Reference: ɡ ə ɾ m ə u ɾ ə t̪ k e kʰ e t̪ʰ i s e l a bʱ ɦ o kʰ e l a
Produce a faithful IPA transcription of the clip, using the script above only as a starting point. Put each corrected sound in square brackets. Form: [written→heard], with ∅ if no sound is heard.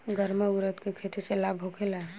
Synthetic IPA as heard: ɡ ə ɾ m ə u ɾ ə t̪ k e kʰ e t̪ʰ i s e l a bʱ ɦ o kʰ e l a